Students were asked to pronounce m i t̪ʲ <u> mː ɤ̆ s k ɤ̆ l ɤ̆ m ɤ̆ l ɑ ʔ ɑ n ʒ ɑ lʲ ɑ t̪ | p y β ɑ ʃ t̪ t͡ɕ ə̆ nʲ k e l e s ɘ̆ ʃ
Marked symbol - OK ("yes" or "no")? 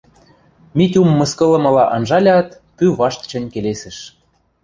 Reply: yes